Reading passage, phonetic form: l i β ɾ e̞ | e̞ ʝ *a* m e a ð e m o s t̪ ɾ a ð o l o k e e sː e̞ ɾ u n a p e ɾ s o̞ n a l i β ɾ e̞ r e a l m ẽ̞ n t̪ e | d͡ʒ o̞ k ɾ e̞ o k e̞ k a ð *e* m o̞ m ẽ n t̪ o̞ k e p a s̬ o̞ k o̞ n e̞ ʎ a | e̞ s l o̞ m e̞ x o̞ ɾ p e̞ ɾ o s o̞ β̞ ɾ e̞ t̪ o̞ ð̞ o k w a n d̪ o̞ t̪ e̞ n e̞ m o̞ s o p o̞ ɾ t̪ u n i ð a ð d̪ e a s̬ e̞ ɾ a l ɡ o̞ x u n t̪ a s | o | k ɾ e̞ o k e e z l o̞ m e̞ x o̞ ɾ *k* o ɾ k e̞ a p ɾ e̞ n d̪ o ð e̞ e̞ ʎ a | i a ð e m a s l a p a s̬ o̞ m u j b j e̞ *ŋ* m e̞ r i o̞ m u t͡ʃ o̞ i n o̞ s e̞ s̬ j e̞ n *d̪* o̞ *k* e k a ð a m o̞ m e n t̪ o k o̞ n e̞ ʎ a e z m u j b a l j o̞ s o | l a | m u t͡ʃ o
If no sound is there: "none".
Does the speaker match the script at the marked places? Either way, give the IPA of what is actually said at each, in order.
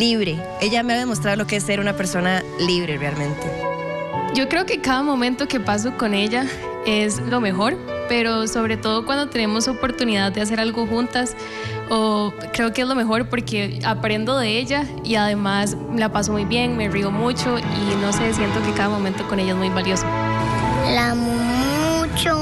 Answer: a, a, p, ŋ, t̪, k

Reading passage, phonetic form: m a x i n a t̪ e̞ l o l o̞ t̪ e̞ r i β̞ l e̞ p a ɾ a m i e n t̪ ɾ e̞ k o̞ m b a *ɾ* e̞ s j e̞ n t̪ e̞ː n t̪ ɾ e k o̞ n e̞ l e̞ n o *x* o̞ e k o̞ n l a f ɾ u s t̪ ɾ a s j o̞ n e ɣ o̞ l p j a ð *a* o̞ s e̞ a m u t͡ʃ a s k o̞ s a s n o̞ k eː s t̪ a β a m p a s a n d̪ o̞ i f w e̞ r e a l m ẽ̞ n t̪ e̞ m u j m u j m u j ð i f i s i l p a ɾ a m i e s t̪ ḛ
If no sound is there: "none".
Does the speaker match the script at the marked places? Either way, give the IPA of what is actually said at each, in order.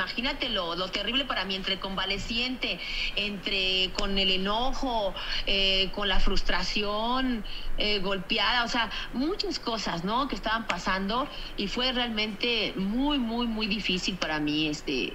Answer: l, x, a

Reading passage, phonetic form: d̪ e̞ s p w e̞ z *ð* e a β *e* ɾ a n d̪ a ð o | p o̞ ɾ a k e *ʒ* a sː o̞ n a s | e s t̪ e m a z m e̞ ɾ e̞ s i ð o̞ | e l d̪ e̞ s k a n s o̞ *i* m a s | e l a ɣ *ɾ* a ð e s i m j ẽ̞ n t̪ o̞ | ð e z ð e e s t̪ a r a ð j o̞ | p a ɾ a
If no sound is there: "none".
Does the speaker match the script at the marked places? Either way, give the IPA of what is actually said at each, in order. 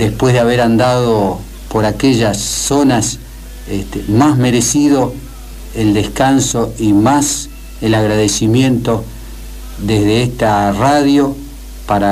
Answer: ð, e, ʒ, i, ɾ

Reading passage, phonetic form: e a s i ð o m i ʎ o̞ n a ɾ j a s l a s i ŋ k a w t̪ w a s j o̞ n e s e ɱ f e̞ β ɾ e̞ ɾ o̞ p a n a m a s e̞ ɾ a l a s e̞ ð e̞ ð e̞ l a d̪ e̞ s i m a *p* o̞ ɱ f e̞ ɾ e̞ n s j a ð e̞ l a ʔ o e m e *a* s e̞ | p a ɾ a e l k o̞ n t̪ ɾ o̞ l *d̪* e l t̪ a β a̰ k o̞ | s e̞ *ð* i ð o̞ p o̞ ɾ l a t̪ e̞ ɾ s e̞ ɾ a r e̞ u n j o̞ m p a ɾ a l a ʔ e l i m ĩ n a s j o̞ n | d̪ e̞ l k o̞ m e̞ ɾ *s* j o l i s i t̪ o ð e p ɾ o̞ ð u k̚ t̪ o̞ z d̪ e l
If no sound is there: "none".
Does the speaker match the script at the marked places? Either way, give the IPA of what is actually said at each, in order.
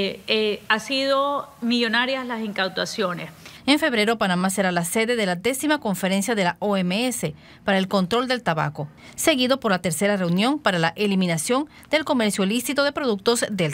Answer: k, e, d̪, ɣ, s

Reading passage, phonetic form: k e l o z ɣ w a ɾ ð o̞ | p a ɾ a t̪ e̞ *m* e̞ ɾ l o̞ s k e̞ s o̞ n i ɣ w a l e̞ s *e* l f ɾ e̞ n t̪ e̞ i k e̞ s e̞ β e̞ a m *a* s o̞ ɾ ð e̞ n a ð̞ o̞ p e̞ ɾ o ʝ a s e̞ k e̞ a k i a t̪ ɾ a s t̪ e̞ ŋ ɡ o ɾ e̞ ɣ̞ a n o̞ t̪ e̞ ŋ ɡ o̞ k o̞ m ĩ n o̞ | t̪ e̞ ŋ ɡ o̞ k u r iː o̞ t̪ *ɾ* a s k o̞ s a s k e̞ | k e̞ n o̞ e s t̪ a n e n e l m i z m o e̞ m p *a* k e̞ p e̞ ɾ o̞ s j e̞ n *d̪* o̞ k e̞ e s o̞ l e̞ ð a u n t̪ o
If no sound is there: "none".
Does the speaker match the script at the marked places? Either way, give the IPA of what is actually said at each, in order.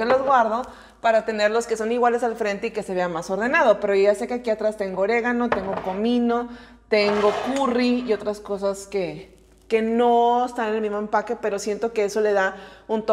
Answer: n, a, a, ɾ, a, t̪

